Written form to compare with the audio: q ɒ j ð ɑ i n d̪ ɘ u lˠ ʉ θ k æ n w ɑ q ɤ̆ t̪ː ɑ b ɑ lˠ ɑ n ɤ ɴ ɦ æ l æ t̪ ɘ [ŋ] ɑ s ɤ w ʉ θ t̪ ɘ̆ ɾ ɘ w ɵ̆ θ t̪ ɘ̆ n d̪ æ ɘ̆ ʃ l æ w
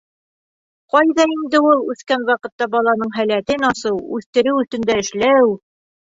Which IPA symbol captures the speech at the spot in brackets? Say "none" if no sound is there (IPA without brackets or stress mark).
n